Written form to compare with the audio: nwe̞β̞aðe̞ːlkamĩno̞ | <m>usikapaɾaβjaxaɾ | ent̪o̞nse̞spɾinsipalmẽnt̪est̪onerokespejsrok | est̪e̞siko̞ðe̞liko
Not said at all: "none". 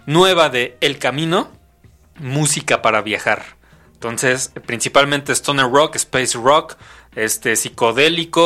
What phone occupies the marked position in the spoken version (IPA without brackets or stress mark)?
m